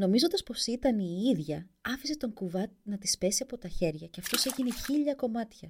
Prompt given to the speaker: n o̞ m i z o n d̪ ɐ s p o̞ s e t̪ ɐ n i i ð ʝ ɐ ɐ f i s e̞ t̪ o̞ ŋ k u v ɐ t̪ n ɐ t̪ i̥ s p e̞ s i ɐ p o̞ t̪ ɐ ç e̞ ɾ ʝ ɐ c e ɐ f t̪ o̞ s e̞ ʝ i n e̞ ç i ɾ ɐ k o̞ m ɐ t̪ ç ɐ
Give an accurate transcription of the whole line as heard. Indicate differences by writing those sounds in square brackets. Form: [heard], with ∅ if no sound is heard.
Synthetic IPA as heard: n o̞ m i z o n d̪ ɐ s p o̞ s [i] t̪ ɐ n i i ð ʝ ɐ ɐ f i s e̞ t̪ o̞ ŋ k u v ɐ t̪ n ɐ t̪ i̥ s p e̞ s i ɐ p o̞ t̪ ɐ ç e̞ ɾ ʝ ɐ c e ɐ f t̪ o̞ s e̞ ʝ i n e̞ ç i [ʎ] ɐ k o̞ m ɐ t̪ ç ɐ